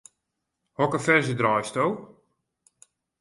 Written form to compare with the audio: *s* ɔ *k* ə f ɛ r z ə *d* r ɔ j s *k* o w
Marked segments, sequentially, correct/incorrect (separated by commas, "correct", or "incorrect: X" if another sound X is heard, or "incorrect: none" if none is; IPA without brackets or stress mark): incorrect: h, correct, correct, incorrect: t